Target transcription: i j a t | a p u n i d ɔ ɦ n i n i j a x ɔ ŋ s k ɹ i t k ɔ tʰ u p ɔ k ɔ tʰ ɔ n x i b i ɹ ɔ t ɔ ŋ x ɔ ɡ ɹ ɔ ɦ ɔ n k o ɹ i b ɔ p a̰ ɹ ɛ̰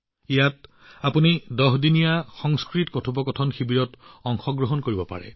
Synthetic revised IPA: i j a t | a p u n i d ɔ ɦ d i n i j a x ɔ ŋ s k ɹ i t k ɔ tʰ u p ɔ k ɔ tʰ ɔ n x i b i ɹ ɔ t ɔ ŋ x ɔ ɡ ɹ ɔ ɦ ɔ n k o ɹ i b ɔ p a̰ ɹ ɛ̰